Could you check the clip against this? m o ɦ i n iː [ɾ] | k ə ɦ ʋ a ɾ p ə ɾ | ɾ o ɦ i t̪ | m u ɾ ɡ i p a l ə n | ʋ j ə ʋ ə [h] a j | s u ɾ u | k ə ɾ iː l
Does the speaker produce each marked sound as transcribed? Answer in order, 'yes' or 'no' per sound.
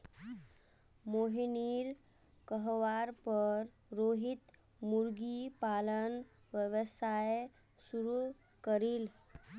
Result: yes, no

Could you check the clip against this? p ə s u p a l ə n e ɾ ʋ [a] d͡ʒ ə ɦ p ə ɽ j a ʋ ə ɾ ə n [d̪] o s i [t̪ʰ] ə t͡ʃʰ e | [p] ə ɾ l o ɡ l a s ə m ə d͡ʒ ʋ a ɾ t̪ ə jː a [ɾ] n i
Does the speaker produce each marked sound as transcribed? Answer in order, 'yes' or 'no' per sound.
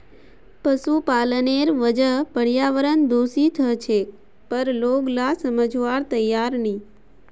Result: no, yes, yes, yes, yes

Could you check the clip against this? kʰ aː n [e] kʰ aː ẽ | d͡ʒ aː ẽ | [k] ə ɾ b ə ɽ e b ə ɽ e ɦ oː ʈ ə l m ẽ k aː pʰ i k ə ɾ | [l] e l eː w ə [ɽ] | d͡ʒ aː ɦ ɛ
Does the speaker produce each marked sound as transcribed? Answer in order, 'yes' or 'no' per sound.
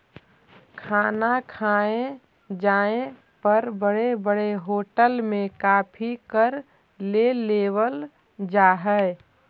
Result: no, no, yes, no

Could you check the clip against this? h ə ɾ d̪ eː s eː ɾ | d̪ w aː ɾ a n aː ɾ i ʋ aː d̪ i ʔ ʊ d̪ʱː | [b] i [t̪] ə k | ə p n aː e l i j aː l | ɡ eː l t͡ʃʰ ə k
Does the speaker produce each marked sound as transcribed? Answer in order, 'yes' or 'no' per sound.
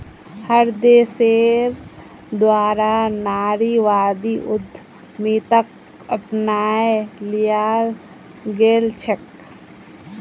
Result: no, yes

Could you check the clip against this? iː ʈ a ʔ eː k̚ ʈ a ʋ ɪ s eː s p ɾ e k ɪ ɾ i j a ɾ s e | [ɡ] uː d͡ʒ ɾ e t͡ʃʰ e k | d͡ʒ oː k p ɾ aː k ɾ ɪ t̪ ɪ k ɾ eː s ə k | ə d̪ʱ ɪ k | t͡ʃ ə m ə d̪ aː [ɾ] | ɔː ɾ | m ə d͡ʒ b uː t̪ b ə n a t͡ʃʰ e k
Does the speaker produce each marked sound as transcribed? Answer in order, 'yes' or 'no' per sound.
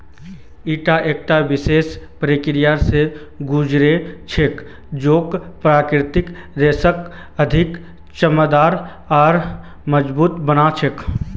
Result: yes, yes

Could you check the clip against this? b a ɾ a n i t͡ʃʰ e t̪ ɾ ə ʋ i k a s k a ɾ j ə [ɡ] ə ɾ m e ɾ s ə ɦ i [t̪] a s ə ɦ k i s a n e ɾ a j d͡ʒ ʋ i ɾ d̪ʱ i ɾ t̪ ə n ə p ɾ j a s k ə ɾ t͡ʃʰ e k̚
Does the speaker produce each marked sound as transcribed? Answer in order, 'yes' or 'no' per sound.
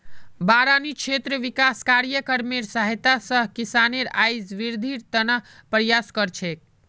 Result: no, yes

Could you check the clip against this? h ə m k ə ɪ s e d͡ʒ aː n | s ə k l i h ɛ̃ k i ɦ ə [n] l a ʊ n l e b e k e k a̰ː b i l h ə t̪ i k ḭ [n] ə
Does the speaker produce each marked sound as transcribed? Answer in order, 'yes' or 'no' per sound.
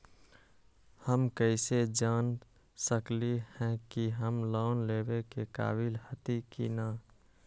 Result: no, yes

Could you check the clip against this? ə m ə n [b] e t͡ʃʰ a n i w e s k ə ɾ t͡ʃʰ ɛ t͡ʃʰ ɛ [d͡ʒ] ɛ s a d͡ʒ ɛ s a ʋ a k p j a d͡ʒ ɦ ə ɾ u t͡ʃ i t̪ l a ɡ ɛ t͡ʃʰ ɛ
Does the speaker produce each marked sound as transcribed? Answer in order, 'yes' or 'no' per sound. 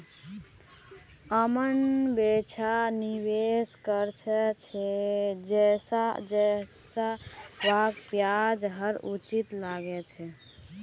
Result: yes, yes

